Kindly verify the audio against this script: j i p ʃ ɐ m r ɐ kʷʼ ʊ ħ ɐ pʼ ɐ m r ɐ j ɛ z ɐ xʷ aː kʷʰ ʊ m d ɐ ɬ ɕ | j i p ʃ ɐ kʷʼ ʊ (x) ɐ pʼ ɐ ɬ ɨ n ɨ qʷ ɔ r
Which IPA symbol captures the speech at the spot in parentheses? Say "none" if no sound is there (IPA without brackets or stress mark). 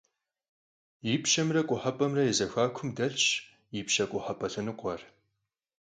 ħ